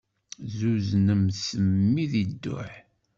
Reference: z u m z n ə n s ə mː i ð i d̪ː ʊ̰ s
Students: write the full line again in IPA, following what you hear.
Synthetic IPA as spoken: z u z n ə m s ə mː i ð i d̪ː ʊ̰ ħ

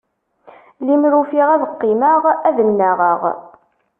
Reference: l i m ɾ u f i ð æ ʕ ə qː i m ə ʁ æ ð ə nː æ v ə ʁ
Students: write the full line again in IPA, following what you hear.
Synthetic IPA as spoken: l i m ɾ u f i ʁ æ ð ə qː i m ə ʁ æ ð ə nː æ ʁ ə ʁ

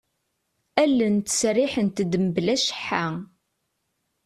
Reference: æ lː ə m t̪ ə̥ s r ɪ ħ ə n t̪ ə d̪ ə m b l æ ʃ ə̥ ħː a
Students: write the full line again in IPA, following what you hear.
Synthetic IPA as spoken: æ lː ə n t̪ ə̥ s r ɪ ħ ə n t̪ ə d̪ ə m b l æ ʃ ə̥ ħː a

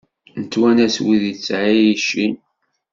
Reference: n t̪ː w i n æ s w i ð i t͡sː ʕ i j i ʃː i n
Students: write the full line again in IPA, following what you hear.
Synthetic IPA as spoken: n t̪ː w æ n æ s w i ð i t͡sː ʕ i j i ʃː i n

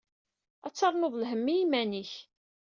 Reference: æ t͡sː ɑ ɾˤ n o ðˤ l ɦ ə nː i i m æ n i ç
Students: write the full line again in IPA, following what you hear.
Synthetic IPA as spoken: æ t͡sː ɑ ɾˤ n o ðˤ l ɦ ə mː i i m æ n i ç

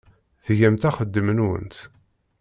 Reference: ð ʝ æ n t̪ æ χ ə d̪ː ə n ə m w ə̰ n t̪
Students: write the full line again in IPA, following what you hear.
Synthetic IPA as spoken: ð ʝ æ m t̪ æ χ ə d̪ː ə m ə n w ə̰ n t̪

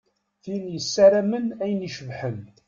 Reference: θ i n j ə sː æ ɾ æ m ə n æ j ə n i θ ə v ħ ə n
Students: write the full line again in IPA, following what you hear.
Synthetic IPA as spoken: θ i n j ə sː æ ɾ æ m ə n æ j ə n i ʃ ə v ħ ə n

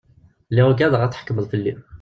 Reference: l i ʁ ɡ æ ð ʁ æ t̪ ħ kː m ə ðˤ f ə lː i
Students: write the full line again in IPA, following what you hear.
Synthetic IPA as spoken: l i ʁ ɡ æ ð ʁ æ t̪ ħ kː m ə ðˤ f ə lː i

